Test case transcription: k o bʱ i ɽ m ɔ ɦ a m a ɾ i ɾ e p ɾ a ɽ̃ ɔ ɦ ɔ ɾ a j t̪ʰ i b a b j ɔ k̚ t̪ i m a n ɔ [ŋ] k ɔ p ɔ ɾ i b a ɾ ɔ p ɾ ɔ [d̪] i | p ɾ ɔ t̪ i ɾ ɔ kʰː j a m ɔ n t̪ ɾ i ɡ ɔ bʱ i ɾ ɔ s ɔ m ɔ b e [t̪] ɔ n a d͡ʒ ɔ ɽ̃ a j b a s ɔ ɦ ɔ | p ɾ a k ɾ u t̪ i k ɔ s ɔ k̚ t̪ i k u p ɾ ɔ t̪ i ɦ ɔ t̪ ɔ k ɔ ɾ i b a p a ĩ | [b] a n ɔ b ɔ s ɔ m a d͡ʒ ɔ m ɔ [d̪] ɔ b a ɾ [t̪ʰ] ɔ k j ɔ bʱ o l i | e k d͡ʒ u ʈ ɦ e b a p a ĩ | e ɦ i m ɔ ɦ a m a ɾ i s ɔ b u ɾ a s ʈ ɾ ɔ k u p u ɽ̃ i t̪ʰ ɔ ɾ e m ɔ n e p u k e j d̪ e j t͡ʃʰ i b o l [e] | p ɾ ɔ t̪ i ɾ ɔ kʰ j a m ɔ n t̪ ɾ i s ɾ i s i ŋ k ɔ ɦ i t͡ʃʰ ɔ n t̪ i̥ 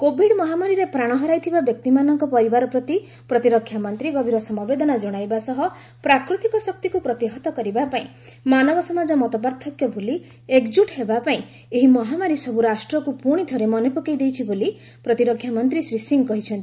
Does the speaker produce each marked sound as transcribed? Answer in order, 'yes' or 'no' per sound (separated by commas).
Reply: yes, no, no, no, no, yes, no